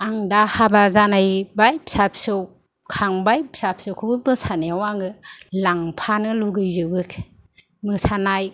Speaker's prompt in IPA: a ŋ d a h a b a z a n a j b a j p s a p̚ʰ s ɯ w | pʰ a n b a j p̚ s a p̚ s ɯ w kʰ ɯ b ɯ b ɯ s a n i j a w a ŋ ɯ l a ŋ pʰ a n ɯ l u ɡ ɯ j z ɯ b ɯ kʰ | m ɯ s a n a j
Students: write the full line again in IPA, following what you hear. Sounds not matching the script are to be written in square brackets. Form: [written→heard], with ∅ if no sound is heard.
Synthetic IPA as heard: a ŋ d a h a b a z a n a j b a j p s a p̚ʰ s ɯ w | [pʰ→kʰ] a [n→ŋ] b a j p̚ s a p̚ s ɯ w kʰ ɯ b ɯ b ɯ s a n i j a w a ŋ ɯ l a ŋ pʰ a n ɯ l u ɡ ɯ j z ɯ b ɯ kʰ | m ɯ s a n a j